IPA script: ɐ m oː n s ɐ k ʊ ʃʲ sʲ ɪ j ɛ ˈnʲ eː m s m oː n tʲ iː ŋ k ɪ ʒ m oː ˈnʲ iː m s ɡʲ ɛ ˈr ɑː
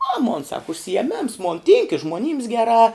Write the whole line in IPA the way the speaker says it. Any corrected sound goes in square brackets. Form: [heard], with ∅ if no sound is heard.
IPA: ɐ m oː n s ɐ k ʊ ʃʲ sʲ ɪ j ɛ [ˈmʲ] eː m s m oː n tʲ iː ŋ k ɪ ʒ m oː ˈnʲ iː m s ɡʲ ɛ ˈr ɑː